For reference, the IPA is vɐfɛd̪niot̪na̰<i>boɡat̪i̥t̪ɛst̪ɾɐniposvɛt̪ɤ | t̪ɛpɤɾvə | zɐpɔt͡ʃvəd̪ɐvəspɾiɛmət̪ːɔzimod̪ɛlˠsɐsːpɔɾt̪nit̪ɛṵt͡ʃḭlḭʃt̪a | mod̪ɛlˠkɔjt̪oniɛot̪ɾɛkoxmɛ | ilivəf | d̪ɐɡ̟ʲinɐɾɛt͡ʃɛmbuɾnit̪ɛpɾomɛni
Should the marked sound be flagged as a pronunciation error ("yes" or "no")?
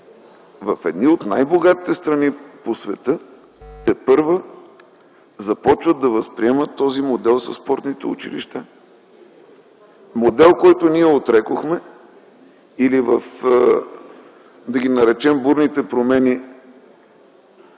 yes